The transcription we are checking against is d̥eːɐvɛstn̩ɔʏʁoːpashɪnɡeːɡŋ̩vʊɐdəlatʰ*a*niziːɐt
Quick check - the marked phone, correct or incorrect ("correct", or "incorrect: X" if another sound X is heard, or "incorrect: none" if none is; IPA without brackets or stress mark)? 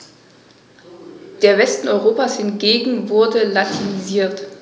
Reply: incorrect: i